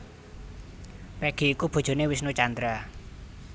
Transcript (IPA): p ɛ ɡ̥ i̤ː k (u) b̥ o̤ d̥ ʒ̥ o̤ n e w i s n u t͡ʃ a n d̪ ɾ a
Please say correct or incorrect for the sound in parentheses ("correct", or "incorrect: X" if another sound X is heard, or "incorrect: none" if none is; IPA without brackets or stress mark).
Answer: correct